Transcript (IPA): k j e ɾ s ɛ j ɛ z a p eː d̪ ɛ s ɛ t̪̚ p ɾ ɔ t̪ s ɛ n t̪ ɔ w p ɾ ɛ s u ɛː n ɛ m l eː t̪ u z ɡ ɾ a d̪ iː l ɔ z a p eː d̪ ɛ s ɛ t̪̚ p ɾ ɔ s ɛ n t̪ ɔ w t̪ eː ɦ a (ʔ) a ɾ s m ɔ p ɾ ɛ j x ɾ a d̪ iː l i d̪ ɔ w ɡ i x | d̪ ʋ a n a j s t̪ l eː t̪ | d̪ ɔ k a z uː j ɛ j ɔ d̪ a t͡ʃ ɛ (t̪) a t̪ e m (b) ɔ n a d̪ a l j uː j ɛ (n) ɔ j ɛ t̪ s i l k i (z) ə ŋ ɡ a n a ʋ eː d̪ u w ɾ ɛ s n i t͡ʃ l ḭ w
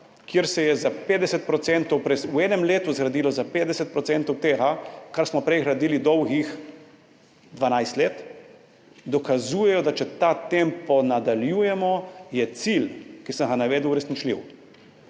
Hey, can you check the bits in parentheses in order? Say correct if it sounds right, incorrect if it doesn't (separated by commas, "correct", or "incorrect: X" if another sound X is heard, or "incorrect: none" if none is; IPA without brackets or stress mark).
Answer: incorrect: k, correct, incorrect: p, incorrect: m, incorrect: s